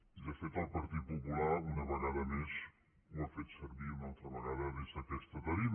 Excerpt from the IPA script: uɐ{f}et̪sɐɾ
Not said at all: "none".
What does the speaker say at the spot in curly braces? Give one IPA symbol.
f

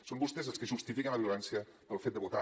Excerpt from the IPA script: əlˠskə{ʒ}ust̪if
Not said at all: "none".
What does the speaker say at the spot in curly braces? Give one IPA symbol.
ʒ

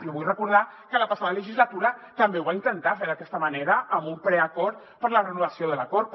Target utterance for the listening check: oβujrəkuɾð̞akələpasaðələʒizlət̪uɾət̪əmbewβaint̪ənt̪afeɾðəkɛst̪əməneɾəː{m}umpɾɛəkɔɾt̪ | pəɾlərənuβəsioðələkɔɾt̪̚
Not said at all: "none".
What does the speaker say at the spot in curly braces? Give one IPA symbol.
m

